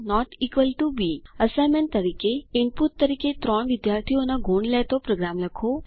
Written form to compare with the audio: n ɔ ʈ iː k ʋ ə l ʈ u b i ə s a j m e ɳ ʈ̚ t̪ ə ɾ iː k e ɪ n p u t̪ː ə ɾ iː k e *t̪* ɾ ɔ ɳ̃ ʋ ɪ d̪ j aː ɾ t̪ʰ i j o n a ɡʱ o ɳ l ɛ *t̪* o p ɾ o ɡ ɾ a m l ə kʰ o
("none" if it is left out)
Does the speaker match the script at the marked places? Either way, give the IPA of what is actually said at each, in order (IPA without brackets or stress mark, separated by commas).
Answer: t̪, t̪